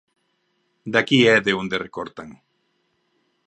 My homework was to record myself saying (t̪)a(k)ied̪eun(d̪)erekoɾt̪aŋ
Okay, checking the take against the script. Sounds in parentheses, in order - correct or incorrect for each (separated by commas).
incorrect, correct, correct